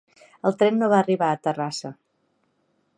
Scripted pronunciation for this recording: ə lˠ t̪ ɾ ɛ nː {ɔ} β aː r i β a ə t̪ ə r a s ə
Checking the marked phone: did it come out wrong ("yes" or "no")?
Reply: yes